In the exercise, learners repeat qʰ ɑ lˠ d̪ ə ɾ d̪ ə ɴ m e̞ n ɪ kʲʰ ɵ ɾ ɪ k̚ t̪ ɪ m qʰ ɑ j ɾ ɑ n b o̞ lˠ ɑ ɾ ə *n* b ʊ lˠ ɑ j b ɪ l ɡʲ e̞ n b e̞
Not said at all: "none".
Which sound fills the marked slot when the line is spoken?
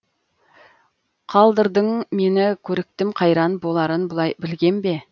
n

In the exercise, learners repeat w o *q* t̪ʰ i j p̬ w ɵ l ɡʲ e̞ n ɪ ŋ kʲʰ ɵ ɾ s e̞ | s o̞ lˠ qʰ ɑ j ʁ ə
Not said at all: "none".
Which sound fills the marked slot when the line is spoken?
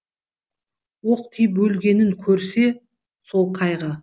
q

